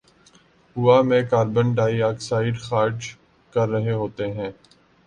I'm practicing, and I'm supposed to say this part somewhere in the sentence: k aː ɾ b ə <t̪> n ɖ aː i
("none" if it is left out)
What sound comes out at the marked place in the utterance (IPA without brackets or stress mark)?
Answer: none